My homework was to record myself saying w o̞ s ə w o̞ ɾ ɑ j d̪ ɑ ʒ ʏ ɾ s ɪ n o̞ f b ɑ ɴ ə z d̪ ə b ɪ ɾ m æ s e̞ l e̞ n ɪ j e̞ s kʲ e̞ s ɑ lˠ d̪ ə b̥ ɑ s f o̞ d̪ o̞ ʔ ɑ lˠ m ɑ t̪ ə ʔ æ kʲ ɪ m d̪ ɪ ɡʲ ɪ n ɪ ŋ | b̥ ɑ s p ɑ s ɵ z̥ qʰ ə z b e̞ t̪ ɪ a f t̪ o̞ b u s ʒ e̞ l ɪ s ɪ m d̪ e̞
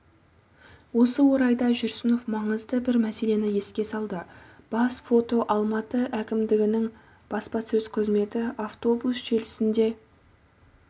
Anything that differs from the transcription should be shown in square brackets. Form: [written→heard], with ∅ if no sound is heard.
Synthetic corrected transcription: w o̞ s ə w o̞ ɾ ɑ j d̪ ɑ ʒ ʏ ɾ s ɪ n o̞ f [b→m] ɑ ɴ ə z d̪ ə b ɪ ɾ m æ s e̞ l e̞ n ɪ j e̞ s kʲ e̞ s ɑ lˠ d̪ ə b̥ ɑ s f o̞ [d̪→t̪] o̞ ʔ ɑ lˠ m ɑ t̪ ə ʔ æ kʲ ɪ m d̪ ɪ ɡʲ ɪ n ɪ ŋ | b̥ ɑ s p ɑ s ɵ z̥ qʰ ə z [b→m] e̞ t̪ ɪ a f t̪ o̞ b u s ʒ e̞ l ɪ s ɪ [m→n] d̪ e̞